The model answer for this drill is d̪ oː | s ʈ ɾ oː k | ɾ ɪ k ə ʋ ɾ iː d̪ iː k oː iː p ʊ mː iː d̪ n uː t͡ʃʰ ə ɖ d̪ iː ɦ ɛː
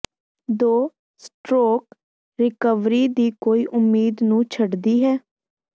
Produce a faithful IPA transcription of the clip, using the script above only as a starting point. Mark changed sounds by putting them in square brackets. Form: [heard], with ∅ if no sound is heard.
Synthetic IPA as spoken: d̪ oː | s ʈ ɾ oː k | ɾ ɪ k ə ʋ ɾ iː d̪ iː k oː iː [ʔ] ʊ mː iː d̪ n [ũː] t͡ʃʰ ə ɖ d̪ iː ɦ ɛː